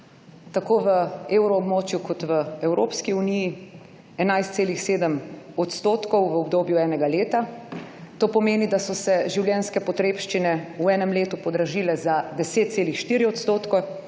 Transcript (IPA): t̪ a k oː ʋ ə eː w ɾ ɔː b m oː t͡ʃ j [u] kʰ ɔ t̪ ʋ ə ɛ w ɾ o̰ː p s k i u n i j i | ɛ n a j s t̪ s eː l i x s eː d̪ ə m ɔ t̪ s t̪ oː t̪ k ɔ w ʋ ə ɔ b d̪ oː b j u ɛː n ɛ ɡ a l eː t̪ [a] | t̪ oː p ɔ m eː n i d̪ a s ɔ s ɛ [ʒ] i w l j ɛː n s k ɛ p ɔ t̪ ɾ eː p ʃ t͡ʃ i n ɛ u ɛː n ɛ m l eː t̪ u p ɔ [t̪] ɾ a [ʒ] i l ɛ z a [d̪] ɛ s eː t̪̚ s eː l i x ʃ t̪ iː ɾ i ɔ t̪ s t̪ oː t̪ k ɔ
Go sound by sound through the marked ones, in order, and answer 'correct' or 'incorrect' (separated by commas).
correct, correct, correct, incorrect, correct, correct